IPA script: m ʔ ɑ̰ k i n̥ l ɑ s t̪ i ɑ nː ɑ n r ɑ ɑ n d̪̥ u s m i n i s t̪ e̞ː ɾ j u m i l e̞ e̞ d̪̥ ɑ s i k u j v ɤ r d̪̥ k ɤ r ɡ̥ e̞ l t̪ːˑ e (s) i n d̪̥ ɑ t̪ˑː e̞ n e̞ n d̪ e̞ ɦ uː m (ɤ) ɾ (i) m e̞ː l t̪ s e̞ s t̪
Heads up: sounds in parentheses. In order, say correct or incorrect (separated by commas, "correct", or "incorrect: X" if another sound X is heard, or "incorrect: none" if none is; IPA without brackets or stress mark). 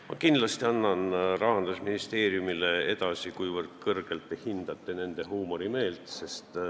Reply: incorrect: h, incorrect: o, correct